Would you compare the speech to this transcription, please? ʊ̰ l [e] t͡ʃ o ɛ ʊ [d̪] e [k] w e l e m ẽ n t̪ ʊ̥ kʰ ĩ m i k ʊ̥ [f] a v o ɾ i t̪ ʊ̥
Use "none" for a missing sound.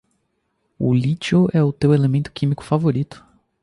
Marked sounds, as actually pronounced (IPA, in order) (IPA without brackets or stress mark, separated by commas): i, t̪, none, f